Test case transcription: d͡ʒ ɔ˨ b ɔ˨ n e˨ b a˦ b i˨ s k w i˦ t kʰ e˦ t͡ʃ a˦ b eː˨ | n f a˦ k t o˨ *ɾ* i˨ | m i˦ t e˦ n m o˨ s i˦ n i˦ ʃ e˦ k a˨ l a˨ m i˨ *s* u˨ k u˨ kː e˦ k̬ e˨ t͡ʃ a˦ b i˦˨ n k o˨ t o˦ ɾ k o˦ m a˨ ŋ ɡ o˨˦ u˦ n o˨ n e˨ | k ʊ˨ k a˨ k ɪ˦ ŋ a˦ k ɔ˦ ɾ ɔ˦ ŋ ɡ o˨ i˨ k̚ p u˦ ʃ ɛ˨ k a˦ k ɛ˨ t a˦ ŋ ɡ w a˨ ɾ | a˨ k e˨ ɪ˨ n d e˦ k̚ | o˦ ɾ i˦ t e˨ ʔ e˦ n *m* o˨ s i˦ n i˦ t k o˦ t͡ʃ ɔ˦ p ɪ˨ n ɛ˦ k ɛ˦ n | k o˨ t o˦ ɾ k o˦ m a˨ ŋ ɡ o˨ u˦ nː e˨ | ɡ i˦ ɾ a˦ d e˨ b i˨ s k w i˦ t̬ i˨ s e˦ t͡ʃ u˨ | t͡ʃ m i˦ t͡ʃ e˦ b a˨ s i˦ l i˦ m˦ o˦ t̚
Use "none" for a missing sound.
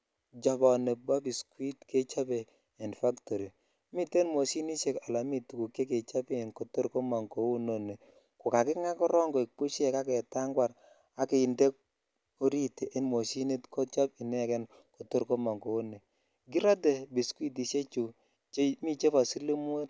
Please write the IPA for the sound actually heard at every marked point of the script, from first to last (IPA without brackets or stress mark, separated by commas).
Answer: ɾ, t, m